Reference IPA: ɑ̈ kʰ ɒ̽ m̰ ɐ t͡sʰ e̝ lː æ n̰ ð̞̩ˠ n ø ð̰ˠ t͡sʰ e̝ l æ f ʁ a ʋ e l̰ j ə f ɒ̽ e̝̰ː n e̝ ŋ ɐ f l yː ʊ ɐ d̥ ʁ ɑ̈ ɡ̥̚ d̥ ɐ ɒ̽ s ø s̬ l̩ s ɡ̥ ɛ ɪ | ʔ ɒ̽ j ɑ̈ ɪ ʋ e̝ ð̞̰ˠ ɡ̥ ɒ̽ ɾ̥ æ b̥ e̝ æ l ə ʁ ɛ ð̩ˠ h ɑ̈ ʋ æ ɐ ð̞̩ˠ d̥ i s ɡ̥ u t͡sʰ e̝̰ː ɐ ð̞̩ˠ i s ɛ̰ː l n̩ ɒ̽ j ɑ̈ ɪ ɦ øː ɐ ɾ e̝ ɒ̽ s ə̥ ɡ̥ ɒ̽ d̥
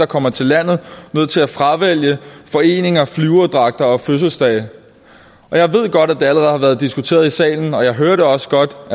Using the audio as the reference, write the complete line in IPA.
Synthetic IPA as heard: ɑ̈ kʰ ɒ̽ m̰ ɐ t͡sʰ e̝ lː æ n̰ ð̞̩ˠ n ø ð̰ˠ t͡sʰ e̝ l æ f ʁ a ʋ e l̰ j ə f ɒ̽ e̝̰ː n e̝ ŋ ɐ f l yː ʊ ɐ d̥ ʁ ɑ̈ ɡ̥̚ d̥ ɐ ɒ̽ f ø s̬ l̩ s d̥ ɛ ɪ | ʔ ɒ̽ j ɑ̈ ɪ ʋ e̝ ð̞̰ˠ ɡ̥ ɒ̽ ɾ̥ æ d̥ e̝ æ l ə ʁ ɛ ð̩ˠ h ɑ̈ ʋ æ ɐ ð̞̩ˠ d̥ i s ɡ̥ u t͡sʰ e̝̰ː ɐ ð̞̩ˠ i s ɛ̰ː l n̩ ɒ̽ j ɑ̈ ɪ ɦ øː ɐ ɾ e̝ ɒ̽ s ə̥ ɡ̥ ɒ̽ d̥